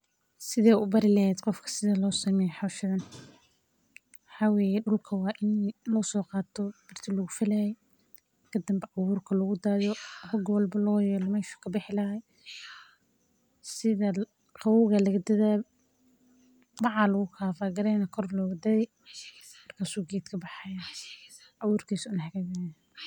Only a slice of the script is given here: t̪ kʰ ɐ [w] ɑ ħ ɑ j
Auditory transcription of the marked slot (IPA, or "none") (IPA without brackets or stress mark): b